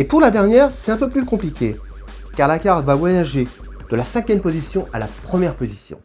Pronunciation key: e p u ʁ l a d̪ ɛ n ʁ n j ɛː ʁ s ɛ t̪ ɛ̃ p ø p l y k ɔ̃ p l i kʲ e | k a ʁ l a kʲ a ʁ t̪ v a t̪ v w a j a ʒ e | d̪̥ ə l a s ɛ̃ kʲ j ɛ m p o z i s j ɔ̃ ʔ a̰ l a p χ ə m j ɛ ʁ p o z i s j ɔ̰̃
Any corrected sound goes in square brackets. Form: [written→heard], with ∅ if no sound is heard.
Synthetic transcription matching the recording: e p u ʁ l a d̪ ɛ [n→∅] ʁ n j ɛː ʁ s ɛ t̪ ɛ̃ p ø p l y k ɔ̃ p l i kʲ e | k a ʁ l a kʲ a ʁ t̪ v a [t̪→∅] v w a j a ʒ e | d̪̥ ə l a s ɛ̃ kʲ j ɛ m p o z i s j ɔ̃ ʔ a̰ l a p χ ə m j ɛ ʁ p o z i s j ɔ̰̃